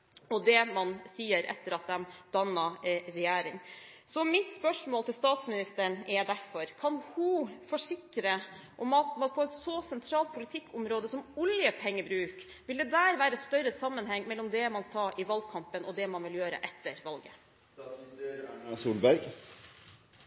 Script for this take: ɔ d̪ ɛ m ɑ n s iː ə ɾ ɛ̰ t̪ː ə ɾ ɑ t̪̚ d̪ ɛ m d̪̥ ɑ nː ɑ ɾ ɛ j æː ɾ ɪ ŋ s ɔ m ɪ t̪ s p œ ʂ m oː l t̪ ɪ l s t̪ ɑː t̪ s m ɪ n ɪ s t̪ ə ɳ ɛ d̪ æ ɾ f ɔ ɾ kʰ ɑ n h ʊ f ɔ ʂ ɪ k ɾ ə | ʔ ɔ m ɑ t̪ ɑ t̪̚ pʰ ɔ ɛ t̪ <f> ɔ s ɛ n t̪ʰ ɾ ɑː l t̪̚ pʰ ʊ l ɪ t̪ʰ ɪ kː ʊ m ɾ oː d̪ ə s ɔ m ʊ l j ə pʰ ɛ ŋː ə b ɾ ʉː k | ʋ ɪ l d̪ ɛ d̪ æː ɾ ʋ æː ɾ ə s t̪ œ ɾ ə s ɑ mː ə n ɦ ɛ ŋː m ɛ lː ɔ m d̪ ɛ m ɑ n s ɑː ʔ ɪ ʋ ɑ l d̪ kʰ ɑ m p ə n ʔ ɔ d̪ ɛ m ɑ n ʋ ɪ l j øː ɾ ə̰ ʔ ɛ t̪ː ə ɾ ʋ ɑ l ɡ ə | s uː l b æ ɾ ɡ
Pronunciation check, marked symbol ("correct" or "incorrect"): incorrect